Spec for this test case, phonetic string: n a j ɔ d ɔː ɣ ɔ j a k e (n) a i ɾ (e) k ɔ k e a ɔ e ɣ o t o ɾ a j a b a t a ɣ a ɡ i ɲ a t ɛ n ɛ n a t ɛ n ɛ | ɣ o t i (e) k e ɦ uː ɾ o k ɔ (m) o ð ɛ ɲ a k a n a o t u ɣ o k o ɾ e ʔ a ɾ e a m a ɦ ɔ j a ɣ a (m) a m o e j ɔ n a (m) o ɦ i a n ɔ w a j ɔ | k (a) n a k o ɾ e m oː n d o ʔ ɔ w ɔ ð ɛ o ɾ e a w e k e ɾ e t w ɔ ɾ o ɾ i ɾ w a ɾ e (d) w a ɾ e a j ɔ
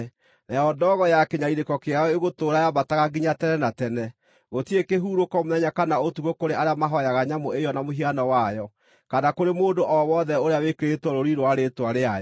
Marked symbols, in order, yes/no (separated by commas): no, yes, yes, yes, no, yes, yes, no